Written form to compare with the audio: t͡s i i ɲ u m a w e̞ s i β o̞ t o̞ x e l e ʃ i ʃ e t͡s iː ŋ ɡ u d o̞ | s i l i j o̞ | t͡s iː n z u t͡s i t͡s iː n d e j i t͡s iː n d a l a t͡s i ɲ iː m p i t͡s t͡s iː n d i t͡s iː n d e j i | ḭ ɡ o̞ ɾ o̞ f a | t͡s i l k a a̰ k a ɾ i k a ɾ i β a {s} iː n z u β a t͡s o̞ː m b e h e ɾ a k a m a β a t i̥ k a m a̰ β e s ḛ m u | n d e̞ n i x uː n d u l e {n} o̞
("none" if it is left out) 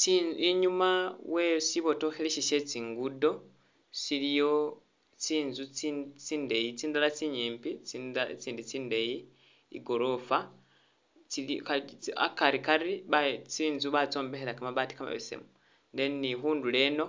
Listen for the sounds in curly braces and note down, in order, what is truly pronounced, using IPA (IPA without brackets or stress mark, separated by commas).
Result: t͡s, n